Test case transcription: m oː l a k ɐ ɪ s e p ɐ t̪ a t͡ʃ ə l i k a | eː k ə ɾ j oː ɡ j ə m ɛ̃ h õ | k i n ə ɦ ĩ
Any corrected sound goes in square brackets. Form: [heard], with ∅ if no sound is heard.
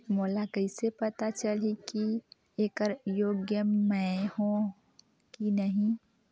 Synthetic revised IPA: m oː l a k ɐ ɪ s e p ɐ t̪ a t͡ʃ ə l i k [i] | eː k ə ɾ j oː ɡ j ə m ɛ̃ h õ | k i n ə ɦ ĩ